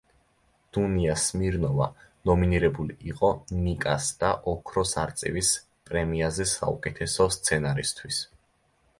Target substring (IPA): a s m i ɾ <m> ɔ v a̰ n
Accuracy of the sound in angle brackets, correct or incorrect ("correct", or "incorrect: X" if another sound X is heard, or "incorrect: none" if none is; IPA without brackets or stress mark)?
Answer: incorrect: n